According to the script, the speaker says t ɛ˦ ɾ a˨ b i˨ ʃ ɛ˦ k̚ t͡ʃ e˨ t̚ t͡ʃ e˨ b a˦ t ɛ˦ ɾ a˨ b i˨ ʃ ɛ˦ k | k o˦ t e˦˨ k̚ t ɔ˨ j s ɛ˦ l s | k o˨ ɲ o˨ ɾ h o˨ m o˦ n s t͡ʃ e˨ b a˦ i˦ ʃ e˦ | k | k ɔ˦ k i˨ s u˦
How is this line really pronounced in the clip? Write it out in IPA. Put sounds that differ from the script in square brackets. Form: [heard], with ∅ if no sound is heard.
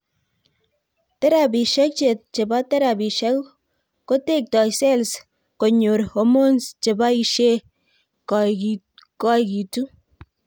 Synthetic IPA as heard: t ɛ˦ ɾ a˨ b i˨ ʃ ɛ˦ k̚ t͡ʃ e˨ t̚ t͡ʃ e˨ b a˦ t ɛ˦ ɾ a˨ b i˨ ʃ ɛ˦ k | k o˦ t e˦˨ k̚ t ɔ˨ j s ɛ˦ l s | k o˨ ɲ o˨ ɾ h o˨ m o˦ n s t͡ʃ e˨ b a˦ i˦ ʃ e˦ | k | k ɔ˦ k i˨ [t] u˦